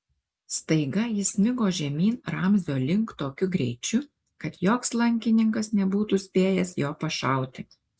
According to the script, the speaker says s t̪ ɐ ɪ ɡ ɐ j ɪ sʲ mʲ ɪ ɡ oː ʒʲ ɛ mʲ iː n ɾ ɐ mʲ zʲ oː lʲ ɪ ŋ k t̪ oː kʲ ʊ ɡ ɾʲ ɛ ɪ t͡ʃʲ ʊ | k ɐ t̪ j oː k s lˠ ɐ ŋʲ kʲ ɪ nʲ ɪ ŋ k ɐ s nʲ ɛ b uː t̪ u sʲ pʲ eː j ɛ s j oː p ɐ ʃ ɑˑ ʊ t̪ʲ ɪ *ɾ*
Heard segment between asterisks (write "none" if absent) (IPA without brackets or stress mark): none